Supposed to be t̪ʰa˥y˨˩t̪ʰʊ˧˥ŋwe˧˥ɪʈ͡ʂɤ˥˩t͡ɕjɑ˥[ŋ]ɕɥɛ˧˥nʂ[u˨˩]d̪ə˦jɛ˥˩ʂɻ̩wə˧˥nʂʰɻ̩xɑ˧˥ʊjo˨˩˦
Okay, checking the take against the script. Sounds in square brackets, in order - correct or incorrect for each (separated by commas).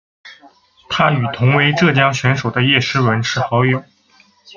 correct, incorrect